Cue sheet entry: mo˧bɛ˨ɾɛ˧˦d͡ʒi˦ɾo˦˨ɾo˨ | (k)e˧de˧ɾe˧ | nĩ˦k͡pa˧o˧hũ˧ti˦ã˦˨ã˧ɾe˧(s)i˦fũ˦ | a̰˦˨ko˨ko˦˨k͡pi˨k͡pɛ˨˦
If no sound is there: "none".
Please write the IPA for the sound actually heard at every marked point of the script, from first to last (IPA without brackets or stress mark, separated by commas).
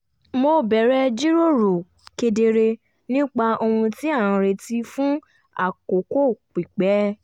k, t